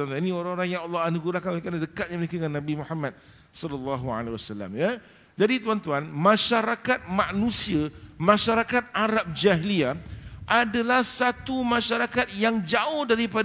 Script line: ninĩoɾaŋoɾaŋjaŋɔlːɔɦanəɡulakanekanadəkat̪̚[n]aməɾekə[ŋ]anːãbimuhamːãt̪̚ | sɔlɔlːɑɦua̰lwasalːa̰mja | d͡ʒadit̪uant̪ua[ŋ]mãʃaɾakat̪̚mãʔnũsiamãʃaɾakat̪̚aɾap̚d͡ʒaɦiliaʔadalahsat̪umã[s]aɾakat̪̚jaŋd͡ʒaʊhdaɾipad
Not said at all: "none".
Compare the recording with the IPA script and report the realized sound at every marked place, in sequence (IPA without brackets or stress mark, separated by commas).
ɲ, ŋ, n, ʃ